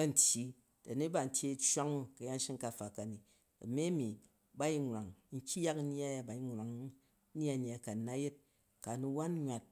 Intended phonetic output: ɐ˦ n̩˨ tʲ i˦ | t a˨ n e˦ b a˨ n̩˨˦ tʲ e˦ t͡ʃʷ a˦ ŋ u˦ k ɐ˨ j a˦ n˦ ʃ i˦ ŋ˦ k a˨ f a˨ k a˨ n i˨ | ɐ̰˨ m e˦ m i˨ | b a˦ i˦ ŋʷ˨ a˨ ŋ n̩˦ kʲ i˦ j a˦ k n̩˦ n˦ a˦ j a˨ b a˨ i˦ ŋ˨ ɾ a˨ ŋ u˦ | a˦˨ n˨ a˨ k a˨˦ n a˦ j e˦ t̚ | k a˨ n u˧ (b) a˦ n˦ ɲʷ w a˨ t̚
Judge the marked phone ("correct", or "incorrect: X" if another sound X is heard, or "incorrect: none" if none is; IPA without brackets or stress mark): incorrect: w